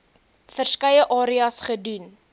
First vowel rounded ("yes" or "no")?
no